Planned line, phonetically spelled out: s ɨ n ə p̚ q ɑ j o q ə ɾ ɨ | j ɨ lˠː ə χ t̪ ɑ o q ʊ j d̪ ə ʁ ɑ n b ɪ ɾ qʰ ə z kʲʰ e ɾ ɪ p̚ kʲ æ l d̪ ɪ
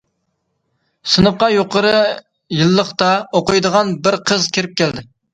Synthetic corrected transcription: s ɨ n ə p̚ q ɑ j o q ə ɾ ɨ | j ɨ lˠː ə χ t̪ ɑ o q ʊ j d̪ ə ʁ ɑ n b ɪ ɾ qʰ ə z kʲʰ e ɾ ɪ p̚ kʲ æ l d̪ ɪ